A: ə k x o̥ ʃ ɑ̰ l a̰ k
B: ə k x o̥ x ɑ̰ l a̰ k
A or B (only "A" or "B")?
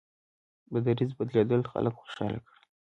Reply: A